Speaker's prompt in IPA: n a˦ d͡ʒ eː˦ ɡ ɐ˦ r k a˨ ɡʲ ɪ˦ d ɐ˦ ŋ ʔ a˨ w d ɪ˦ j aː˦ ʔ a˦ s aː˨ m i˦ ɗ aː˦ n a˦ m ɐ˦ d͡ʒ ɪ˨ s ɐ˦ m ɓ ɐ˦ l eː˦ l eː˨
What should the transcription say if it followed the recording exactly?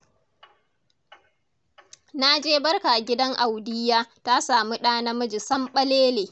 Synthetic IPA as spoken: n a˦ d͡ʒ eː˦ b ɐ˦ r k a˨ ɡʲ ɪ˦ d ɐ˦ ŋ ʔ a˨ w d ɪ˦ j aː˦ t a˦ s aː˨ m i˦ ɗ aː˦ n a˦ m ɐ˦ d͡ʒ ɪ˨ s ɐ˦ m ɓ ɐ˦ l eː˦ l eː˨